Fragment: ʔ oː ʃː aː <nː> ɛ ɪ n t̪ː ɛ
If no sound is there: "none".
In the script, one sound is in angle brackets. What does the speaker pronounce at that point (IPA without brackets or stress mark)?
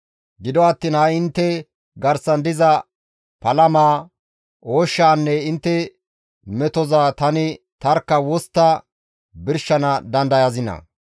nː